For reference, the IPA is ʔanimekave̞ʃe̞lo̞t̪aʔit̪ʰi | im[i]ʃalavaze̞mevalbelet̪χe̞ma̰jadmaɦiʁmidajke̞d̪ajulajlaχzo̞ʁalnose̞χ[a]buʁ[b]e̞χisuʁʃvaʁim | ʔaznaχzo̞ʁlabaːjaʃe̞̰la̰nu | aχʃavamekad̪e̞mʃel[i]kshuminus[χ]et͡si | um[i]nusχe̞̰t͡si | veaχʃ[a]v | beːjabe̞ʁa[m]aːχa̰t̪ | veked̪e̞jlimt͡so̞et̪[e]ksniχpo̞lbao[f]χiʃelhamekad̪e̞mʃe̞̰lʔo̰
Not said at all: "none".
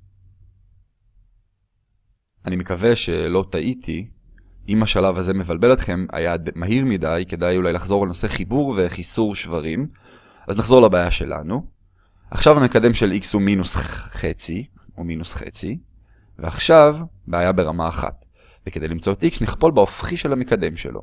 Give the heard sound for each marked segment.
a, i, v, i, χ, i, a, m, i, f

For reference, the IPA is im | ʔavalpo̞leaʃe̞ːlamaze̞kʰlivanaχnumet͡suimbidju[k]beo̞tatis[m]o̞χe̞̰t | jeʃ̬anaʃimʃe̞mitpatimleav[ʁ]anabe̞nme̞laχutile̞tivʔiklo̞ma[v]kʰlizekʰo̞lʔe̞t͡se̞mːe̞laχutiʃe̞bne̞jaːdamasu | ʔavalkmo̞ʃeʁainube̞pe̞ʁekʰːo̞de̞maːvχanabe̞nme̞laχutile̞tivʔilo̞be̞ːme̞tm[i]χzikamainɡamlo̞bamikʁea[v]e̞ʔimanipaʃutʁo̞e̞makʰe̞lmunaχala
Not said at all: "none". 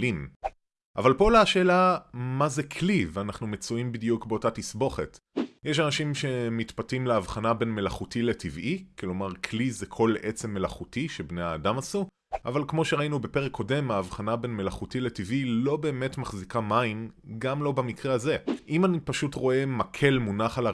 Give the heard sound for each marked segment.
k, b, χ, ʁ, a, z

